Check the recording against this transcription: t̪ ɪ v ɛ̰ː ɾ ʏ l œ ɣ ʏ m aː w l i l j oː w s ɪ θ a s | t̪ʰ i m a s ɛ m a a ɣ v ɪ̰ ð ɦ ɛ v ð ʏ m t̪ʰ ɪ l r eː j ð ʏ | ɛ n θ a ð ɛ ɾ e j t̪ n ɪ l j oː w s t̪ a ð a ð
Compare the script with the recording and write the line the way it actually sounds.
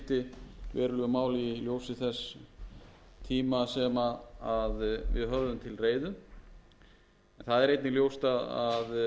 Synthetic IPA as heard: t̪ ɪ v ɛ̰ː ɾ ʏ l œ ɣ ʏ m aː w l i l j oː w s ɪ θ ɛ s | t̪ʰ iː m a s ɛ m a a ð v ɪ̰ ð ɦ œ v ð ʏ m t̪ʰ ɪ l r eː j ð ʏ | ɛ n θ a ð ɛ ɾ e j t̪ n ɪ l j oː w s t̪ a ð a ð

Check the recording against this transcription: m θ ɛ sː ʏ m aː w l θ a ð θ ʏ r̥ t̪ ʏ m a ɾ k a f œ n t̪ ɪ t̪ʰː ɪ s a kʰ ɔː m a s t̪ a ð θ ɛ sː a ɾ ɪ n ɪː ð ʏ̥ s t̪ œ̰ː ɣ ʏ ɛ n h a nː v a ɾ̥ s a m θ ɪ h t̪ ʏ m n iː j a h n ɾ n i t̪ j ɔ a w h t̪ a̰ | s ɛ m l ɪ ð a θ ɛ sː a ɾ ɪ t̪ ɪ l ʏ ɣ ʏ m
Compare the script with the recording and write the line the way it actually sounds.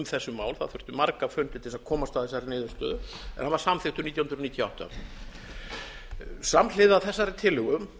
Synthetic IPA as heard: m θ ɛ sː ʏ m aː w l θ a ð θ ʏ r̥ t̪ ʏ m a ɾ k a f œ n t̪ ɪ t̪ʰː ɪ s a kʰ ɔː m a s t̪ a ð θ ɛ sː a ɾ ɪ n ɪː ð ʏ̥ s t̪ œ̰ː ð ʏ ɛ n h a n v a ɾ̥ s a m θ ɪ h t̪ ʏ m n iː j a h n ɾ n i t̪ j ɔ a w h t̪ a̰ | s a m l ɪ ð a θ ɛ sː a ɾ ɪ t̪ʰ ɪ l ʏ ɣ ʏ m

